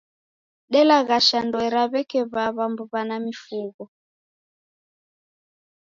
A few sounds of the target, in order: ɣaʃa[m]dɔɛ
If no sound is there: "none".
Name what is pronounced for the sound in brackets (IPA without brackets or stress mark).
n